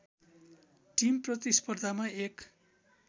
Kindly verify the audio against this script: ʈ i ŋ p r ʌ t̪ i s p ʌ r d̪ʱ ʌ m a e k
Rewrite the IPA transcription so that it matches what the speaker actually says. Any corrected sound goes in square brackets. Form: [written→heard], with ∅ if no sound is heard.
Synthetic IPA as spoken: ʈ i [ŋ→m] p r ʌ t̪ i s p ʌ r d̪ʱ [ʌ→a] m a e k